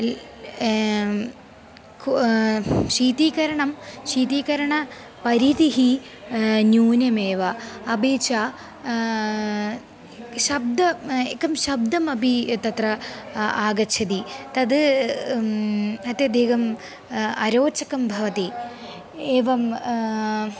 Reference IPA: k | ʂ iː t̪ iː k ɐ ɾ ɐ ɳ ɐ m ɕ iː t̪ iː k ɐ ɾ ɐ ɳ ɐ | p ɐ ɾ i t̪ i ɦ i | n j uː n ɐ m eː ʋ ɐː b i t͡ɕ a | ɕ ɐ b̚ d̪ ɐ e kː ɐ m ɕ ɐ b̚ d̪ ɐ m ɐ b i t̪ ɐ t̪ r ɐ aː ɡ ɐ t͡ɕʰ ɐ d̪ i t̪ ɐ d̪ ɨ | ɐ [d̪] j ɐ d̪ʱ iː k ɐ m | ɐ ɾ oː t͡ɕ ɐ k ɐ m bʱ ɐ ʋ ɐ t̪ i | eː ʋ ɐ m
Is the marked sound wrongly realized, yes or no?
yes